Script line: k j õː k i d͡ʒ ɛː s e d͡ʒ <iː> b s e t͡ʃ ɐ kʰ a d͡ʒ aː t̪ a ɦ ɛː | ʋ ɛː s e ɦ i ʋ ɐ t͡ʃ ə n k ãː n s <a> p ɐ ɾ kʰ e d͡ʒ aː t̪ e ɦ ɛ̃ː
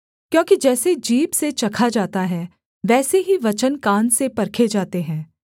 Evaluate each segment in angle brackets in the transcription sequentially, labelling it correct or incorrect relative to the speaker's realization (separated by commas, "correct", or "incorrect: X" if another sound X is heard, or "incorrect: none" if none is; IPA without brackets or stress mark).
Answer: correct, incorrect: e